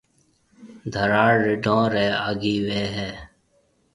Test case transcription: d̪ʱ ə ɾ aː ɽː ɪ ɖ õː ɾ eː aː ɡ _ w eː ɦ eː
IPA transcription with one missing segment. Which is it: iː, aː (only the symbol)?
iː